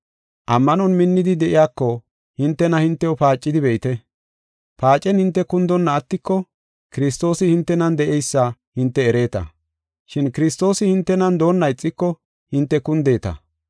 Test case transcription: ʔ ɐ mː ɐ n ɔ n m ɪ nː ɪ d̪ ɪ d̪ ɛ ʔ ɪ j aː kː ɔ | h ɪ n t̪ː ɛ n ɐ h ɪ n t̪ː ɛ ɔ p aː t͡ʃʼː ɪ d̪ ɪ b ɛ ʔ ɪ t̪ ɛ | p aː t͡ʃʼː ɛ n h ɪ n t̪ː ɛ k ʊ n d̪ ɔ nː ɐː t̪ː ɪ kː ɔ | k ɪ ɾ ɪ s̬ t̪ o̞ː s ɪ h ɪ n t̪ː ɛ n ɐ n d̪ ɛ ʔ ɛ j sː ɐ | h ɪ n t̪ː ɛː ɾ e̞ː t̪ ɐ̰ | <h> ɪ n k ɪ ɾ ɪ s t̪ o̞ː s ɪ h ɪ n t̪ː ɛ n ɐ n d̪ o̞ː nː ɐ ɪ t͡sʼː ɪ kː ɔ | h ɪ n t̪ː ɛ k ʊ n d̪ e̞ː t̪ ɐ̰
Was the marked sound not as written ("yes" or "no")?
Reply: yes